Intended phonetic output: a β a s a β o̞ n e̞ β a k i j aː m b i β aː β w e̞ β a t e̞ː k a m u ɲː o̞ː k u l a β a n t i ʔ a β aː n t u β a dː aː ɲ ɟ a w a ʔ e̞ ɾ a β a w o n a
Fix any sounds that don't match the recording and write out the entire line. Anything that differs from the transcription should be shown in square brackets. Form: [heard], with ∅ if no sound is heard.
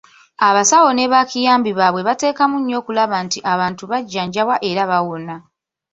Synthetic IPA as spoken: a β a s a [w] o̞ n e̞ β a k i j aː m b i β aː β w e̞ β a t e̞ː k a m u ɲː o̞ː k u l a β a n t i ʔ a β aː n t u β a [ɟː] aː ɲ ɟ a w a ʔ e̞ ɾ a β a w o n a